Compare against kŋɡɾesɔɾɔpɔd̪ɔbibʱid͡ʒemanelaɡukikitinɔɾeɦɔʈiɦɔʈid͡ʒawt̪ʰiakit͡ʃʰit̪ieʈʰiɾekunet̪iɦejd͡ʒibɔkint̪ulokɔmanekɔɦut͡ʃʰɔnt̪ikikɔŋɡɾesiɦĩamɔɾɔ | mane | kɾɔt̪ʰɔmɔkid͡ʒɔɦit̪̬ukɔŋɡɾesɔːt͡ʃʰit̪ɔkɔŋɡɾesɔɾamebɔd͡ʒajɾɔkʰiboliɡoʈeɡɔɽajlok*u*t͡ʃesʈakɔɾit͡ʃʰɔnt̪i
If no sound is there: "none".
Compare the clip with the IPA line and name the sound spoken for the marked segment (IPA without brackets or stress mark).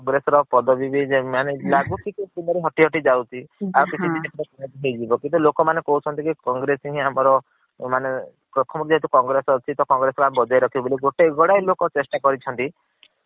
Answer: ɔ